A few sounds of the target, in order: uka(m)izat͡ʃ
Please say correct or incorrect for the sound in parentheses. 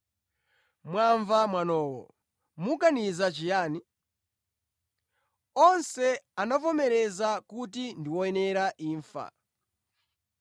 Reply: incorrect